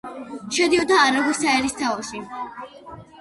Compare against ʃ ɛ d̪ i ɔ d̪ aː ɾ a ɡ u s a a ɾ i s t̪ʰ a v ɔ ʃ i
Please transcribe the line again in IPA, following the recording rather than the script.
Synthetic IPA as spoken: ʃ ɛ d̪ i ɔ d̪ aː ɾ a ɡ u s a ɛ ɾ i s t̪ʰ a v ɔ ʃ i